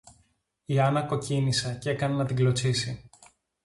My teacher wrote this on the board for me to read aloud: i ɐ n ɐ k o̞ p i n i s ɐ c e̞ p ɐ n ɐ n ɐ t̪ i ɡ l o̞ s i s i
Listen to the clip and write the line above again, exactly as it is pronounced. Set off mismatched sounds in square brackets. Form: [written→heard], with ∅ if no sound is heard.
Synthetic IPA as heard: i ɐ n ɐ k o̞ [p→c] i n i s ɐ c e̞ [p→k] ɐ n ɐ n ɐ t̪ i ɡ l o̞ [s→t͡s] i s i